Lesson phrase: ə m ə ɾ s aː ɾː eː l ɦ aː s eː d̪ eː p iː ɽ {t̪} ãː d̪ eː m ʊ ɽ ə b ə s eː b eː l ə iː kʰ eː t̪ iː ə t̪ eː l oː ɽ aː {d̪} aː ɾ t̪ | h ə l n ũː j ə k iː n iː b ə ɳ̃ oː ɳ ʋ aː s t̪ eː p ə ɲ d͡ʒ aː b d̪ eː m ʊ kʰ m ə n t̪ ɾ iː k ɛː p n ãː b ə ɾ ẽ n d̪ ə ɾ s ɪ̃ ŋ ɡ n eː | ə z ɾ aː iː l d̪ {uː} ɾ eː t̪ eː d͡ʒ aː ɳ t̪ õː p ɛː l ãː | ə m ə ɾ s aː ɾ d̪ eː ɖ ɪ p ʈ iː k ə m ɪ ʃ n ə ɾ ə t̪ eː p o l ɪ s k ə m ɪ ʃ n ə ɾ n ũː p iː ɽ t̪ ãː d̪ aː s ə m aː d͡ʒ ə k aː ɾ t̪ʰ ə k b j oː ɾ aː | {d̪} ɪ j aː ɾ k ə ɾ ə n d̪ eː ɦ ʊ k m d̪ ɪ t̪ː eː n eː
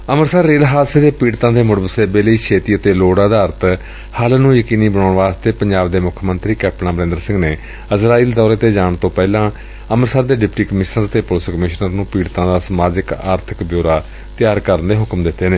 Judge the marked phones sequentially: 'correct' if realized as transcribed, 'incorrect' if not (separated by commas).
correct, correct, incorrect, incorrect